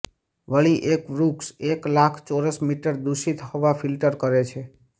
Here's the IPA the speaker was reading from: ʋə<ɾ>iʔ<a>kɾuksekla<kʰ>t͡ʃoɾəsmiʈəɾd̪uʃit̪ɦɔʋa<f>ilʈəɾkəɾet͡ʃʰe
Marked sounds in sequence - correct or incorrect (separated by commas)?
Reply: incorrect, incorrect, correct, correct